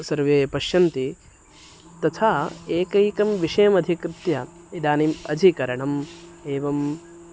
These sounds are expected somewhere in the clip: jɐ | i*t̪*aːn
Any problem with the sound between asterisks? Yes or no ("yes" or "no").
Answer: yes